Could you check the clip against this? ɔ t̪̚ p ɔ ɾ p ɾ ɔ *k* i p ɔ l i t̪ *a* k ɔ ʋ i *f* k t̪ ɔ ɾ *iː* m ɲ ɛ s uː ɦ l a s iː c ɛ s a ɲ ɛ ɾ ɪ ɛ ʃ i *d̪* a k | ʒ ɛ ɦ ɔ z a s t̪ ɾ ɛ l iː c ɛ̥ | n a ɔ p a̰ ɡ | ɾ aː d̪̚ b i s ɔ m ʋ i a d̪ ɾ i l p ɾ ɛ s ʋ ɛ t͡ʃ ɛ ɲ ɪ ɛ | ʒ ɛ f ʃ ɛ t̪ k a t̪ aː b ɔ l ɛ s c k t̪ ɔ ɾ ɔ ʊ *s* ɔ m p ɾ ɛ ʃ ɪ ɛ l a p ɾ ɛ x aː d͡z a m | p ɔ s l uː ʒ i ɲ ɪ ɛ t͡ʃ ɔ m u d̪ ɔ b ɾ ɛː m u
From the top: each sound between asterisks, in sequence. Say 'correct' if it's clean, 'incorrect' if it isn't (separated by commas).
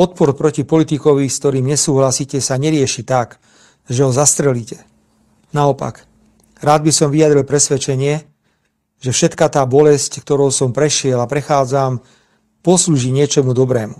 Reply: incorrect, incorrect, incorrect, correct, incorrect, correct